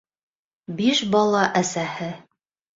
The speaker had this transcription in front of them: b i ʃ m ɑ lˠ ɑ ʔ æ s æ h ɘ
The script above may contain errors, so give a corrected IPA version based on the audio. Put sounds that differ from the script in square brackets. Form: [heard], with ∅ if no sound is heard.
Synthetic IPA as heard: b i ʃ [b] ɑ lˠ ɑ ʔ æ s æ h ɘ